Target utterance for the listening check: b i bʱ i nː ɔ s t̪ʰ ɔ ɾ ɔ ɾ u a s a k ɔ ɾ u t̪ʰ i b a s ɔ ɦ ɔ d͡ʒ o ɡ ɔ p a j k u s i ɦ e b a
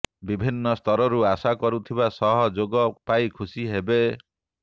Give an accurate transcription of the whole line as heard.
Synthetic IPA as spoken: b i bʱ i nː ɔ s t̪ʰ ɔ ɾ ɔ ɾ u a s a k ɔ ɾ u t̪ʰ i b a s ɔ ɦ ɔ d͡ʒ o ɡ ɔ p a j kʰ u s i ɦ e b e